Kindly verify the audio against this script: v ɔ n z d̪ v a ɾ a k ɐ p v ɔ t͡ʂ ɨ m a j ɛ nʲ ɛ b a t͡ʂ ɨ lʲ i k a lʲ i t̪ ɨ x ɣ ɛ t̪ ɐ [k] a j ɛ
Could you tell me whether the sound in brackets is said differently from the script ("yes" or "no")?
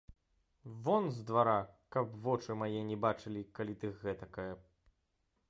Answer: no